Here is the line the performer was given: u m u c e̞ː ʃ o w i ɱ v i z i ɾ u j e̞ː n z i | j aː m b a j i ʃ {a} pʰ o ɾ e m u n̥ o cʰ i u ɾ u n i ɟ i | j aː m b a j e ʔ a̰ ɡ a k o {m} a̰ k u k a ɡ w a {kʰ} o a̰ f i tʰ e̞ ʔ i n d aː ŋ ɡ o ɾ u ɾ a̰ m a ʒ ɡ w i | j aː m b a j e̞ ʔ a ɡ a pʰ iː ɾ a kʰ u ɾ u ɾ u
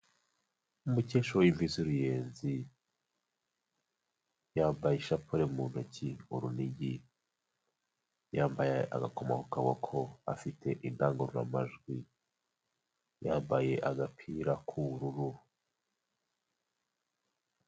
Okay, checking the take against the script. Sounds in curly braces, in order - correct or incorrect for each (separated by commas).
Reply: correct, correct, correct